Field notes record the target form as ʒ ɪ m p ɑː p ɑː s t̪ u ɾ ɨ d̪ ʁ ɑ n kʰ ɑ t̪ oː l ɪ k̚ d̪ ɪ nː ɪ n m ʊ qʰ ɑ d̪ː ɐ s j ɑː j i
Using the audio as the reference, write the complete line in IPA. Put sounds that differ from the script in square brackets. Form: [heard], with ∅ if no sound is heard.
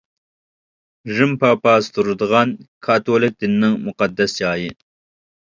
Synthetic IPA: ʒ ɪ m p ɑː p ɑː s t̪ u ɾ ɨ d̪ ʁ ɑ n kʰ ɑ t̪ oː l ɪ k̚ d̪ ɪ nː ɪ [ŋ] m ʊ [q] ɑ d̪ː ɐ s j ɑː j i